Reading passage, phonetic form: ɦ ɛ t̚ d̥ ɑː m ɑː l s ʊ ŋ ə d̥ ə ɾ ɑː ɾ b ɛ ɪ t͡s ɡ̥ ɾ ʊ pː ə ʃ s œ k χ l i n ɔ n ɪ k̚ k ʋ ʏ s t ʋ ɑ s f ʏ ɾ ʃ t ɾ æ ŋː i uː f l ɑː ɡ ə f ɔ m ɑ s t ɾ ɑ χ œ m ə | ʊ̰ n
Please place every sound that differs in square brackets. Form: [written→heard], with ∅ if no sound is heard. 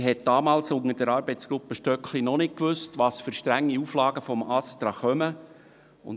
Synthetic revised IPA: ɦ ɛ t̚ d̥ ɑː m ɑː l s ʊ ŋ ə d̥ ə ɾ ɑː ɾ b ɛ ɪ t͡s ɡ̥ ɾ ʊ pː ə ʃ [s→t] œ k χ l i n ɔ n ɪ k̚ k ʋ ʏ s t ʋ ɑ s f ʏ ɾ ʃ t ɾ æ ŋː i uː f l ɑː ɡ ə f ɔ m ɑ s t ɾ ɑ χ œ m ə | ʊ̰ n